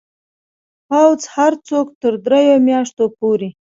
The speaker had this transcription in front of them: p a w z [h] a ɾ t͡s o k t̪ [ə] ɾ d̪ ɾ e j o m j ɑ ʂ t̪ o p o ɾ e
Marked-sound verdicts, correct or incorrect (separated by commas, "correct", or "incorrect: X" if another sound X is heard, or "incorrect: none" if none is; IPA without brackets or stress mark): correct, correct